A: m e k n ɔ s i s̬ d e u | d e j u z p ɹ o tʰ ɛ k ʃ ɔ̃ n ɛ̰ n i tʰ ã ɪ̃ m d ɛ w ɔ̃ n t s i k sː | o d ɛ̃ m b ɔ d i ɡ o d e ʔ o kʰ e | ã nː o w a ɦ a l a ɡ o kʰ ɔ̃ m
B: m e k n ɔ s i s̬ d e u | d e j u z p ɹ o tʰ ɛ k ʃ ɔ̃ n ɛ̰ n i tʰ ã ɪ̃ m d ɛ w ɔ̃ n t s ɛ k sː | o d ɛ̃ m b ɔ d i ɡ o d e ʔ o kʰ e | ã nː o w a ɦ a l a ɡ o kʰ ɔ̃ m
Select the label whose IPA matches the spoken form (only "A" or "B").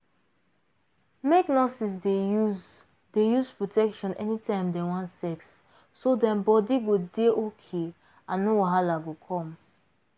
B